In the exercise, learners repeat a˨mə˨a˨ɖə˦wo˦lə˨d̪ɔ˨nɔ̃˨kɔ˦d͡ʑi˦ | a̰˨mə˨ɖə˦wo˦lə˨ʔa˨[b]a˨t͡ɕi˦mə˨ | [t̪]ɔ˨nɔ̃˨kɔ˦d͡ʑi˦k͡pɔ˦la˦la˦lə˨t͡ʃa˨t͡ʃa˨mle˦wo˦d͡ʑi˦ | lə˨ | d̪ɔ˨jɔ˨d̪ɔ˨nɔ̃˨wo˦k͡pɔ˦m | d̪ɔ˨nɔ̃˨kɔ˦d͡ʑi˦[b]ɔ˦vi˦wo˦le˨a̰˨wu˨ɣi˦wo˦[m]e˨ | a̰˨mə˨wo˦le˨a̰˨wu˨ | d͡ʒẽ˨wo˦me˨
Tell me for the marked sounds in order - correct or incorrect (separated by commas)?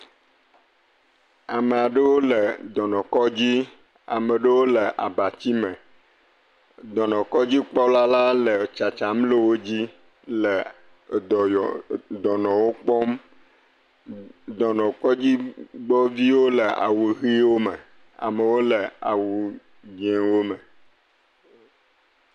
correct, incorrect, incorrect, correct